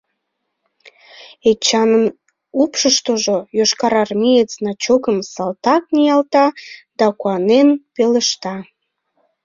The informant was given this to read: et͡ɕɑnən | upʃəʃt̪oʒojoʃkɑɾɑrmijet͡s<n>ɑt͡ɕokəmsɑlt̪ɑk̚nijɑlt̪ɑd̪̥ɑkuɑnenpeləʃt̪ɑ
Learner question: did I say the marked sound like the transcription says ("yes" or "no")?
yes